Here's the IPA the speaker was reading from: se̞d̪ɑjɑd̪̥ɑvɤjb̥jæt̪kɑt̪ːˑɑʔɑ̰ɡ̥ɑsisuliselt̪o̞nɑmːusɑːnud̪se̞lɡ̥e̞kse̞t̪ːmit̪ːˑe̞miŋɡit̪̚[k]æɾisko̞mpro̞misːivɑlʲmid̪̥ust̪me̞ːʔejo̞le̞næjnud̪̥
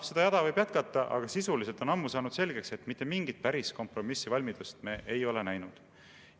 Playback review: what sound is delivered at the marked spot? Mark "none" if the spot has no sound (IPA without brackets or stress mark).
p